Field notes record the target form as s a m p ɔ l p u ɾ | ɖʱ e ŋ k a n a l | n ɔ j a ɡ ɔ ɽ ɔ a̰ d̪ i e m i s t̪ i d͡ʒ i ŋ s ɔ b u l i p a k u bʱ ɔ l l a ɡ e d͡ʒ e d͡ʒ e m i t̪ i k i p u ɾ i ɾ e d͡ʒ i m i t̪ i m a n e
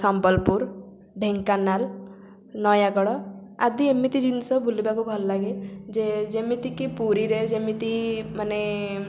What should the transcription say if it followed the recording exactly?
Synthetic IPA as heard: s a m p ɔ l p u ɾ | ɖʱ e ŋ k a n a l | n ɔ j a ɡ ɔ ɽ ɔ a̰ d̪ i e m i t̪ i d͡ʒ i n s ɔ b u l i b a k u bʱ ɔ l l a ɡ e d͡ʒ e d͡ʒ e m i t̪ i k i p u ɾ i ɾ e d͡ʒ e m i t̪ i m a n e